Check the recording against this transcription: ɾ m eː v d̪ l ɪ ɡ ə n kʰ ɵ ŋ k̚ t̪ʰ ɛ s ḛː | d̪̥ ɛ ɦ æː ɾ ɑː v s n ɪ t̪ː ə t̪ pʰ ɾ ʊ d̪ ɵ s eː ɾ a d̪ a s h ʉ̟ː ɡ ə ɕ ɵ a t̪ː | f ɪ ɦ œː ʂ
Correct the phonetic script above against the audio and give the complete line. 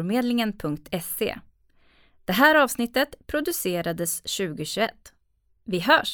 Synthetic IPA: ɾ m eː d̪ l ɪ ŋ ə n pʰ ɵ ŋ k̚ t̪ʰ ɛ s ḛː | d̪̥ ɛ ɦ æː ɾ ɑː v s n ɪ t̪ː ə t̪ pʰ ɾ ʊ d̪ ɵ s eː ɾ a d̪ ə s ɕ ʉ̟ː ɡ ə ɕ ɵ ɛ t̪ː | v ɪ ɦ œː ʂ